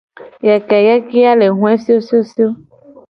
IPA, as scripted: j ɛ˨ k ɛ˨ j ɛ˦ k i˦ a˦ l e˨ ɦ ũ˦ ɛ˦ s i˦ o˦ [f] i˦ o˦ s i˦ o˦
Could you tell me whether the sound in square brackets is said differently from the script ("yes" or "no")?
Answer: yes